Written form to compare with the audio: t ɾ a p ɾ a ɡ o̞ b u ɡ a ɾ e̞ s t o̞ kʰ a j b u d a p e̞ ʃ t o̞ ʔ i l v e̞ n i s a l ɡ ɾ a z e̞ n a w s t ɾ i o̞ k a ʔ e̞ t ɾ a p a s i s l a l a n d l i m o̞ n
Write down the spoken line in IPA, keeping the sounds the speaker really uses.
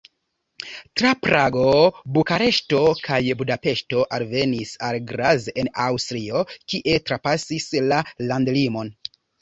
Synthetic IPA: t ɾ a p ɾ a ɡ o̞ b u k a ɾ e̞ ʃ t o̞ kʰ a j b u d a p e̞ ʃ t o̞ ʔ a l v e̞ n i s a l ɡ ɾ a z e̞ n a w s t ɾ i o̞ k i ʔ e̞ t ɾ a p a s i s l a l a n d l i m o̞ n